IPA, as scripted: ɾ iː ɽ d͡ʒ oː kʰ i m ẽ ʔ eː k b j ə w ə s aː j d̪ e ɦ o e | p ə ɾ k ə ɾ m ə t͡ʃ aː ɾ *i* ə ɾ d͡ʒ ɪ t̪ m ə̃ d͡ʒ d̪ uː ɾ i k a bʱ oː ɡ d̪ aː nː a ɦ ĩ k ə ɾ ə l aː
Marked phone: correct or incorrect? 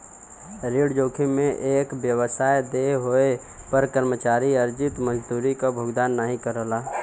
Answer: correct